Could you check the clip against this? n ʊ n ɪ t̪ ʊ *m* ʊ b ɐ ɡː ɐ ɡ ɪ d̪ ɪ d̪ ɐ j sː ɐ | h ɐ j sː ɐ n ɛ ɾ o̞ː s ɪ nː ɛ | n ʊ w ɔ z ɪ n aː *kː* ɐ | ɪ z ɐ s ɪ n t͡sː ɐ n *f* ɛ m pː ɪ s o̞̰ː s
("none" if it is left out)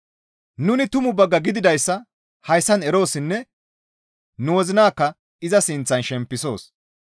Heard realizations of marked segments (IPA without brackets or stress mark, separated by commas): m, kː, ʃ